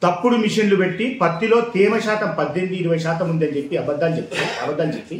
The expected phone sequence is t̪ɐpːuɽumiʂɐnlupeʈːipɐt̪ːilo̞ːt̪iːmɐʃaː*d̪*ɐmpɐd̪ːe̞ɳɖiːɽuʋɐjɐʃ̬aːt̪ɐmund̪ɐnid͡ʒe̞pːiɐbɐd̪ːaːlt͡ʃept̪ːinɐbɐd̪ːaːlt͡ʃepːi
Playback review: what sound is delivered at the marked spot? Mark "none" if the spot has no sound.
t̪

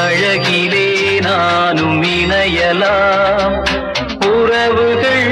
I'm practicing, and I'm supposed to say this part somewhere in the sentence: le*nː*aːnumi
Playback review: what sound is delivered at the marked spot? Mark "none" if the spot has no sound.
n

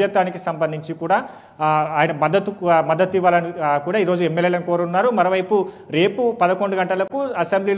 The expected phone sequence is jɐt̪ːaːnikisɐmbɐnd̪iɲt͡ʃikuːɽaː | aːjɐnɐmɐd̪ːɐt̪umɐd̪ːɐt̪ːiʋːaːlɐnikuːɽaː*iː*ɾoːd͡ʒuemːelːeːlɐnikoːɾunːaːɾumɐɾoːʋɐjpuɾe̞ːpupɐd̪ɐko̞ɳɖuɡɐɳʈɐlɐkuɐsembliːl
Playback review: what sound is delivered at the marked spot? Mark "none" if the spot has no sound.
iː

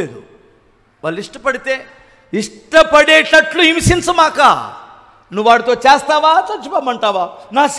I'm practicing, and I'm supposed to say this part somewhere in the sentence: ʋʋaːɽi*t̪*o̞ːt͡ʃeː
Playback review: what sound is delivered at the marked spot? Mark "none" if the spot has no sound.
t̪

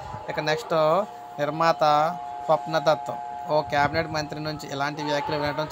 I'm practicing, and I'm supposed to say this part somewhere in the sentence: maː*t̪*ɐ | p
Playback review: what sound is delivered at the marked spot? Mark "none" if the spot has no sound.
t̪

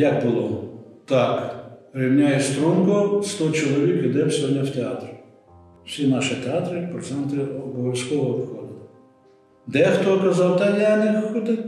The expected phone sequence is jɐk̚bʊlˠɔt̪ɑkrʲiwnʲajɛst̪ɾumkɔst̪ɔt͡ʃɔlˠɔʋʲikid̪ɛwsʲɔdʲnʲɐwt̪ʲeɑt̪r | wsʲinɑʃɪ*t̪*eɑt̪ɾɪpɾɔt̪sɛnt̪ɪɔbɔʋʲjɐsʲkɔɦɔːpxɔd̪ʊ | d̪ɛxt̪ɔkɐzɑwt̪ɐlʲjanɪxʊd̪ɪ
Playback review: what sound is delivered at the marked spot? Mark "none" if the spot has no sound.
t̪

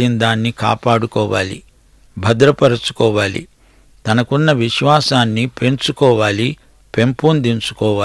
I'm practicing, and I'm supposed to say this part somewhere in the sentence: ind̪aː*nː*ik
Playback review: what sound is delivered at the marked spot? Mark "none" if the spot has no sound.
nː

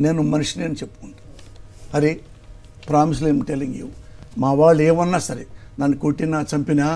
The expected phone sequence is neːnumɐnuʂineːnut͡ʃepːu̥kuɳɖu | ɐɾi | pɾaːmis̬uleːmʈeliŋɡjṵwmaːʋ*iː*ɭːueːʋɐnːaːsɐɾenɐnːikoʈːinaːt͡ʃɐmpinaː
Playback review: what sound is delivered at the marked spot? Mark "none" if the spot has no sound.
aː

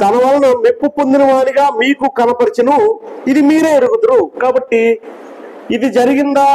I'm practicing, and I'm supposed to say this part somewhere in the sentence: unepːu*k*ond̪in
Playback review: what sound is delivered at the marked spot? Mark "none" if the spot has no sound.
p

